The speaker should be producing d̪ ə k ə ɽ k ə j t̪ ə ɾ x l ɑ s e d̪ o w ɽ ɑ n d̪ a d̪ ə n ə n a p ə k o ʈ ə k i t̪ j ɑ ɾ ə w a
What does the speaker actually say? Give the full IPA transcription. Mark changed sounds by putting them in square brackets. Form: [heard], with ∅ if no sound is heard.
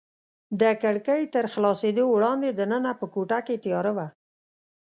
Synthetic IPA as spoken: d̪ ə k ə ɽ k ə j t̪ ə ɾ x l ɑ s e d̪ o w ɽ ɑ n d̪ [e] d̪ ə n ə n a p ə k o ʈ [a] k [e] t̪ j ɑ ɾ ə w a